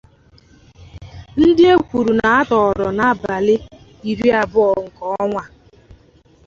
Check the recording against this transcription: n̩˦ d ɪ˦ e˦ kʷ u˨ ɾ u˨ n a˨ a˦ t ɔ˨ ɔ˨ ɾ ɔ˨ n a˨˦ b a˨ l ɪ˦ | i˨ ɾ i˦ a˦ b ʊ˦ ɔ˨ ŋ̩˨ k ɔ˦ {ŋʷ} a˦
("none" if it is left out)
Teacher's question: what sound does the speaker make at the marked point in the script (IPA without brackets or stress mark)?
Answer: ŋʷ